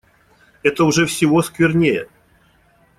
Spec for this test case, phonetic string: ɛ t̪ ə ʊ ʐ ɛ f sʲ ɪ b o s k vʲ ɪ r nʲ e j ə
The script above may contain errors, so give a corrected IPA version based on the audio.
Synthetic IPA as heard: ɛ t̪ ə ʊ ʐ ɛ f sʲ ɪ v o s k vʲ ɪ r nʲ e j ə

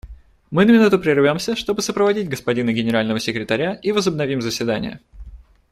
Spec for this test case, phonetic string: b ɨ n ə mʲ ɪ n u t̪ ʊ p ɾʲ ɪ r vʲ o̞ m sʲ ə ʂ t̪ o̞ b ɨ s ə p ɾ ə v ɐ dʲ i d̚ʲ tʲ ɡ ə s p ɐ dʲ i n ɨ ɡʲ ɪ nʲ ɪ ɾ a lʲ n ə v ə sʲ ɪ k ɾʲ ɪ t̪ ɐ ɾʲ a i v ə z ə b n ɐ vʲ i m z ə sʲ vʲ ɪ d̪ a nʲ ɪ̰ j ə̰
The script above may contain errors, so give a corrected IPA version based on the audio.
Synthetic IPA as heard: m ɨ n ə mʲ ɪ n u t̪ ʊ p ɾʲ ɪ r vʲ o̞ m sʲ ə ʂ t̪ o̞ b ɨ s ə p ɾ ə v ɐ dʲ i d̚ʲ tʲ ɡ ə s p ɐ dʲ i n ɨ ɡʲ ɪ nʲ ɪ ɾ a lʲ n ə v ə sʲ ɪ k ɾʲ ɪ t̪ ɐ ɾʲ a i v ə z ə b n ɐ vʲ i m z ə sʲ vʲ ɪ d̪ a nʲ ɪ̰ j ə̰

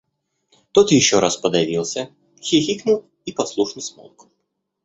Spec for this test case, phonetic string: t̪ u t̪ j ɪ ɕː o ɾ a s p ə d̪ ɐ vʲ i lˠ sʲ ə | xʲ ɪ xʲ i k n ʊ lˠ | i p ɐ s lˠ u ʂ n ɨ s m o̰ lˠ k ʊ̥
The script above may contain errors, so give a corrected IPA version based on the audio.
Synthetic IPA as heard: t̪ o t̪ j ɪ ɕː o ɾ a s p ə d̪ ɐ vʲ i lˠ sʲ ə | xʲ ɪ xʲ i k n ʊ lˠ | i p ɐ s lˠ u ʂ n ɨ s m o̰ lˠ k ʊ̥

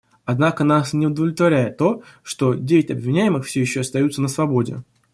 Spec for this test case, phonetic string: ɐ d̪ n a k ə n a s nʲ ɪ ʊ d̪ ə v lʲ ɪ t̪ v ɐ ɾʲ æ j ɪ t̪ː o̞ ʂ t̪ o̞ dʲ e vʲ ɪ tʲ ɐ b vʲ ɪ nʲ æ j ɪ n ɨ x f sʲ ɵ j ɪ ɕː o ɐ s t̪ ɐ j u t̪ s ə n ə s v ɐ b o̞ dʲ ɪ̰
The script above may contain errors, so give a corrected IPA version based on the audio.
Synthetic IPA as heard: ɐ d̪ n a k ə n a s nʲ ɪ ʊ d̪ ə v lʲ ɪ t̪ v ɐ ɾʲ æ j ɪ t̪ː o̞ ʂ t̪ o̞ dʲ e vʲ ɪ tʲ ɐ b vʲ ɪ nʲ æ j ɪ m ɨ x f sʲ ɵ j ɪ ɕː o ɐ s t̪ ɐ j u t̪ s ə n ə s v ɐ b o̞ dʲ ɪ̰

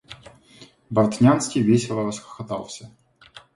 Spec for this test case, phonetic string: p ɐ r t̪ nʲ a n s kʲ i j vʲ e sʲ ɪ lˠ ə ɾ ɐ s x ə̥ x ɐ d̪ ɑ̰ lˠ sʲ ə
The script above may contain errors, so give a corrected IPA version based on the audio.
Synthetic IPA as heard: b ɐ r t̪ nʲ a n s kʲ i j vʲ e sʲ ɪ lˠ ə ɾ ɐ s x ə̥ x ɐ t̪ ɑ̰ lˠ sʲ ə

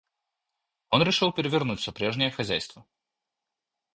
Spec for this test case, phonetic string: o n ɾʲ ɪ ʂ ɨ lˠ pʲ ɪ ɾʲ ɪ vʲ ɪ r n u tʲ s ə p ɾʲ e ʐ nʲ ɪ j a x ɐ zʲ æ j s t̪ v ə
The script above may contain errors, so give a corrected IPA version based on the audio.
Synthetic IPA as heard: o n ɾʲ ɪ ʂ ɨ lˠ pʲ ɪ ɾʲ ɪ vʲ ɪ r n u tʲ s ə p ɾʲ e ʐ nʲ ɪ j ə x ɐ zʲ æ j s t̪ v ə

